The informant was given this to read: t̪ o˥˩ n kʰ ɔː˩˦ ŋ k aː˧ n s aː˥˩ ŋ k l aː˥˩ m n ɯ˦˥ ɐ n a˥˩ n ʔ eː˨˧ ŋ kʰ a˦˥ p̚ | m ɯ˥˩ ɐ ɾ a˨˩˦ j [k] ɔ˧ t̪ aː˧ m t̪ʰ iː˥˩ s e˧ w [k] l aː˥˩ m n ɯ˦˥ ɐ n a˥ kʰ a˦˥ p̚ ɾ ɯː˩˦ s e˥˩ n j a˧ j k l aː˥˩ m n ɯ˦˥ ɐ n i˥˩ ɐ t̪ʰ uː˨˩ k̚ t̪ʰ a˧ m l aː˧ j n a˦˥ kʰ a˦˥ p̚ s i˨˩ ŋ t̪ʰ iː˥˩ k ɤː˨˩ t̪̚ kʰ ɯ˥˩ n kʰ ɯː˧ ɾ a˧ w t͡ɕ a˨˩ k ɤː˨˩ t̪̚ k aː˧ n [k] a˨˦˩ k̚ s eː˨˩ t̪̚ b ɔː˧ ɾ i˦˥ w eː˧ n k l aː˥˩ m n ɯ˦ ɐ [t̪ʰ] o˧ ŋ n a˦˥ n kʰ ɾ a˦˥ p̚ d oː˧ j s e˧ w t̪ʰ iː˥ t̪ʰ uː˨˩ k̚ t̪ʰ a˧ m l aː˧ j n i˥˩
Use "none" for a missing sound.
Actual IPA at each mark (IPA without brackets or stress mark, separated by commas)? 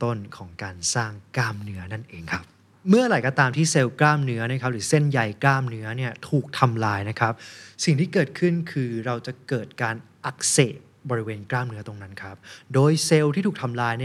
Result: k, k, ʔ, t̪